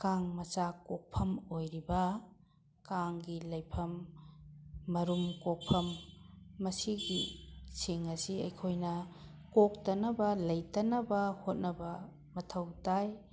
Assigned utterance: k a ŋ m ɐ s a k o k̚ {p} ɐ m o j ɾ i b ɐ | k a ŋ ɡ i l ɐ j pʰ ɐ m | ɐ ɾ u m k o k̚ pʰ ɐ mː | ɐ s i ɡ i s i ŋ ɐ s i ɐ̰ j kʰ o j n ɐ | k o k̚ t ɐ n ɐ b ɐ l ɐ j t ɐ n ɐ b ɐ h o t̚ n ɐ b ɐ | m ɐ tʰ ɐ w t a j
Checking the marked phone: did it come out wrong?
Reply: yes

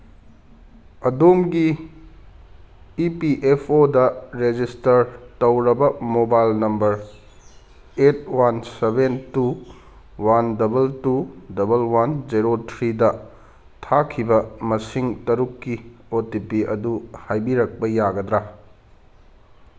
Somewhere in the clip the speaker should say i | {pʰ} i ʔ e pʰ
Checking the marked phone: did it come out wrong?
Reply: yes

